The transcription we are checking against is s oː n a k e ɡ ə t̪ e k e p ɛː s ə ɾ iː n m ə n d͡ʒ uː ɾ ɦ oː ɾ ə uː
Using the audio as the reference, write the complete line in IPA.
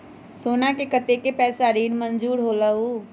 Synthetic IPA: s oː n a k e k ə t̪ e k e p ɛː s a ɾ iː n m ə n d͡ʒ uː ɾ ɦ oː l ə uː